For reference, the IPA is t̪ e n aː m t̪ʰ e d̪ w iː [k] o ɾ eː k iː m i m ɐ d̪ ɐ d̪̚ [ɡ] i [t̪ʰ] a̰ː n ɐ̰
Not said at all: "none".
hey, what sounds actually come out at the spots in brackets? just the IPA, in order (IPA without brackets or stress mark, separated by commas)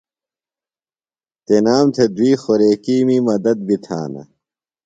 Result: x, b, t̪ʰ